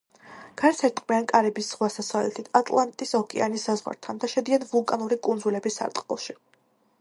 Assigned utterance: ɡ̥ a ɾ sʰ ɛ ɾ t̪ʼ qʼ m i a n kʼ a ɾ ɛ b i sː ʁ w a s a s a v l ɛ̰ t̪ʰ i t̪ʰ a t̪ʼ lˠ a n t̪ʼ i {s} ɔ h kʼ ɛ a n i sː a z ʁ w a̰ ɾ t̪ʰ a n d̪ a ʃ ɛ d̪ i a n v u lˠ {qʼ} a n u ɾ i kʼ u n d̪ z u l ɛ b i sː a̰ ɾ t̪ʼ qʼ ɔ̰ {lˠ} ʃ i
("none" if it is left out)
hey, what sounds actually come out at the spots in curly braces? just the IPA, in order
s, kʼ, lˠ

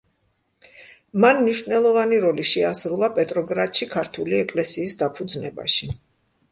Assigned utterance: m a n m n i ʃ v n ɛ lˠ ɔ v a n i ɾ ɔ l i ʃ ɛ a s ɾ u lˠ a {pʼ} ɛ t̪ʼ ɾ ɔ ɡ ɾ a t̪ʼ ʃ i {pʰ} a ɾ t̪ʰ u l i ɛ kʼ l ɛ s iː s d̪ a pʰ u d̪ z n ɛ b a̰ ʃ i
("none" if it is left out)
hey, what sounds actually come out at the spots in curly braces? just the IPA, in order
pʼ, kʰ

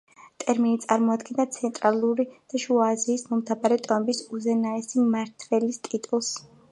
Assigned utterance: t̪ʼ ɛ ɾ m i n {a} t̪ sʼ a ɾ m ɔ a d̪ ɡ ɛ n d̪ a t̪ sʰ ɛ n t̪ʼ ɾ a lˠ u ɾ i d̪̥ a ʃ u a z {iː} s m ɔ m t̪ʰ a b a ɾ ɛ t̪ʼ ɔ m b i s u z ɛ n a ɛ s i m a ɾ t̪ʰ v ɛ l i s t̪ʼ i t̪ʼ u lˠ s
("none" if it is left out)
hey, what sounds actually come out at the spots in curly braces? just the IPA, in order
i, iː

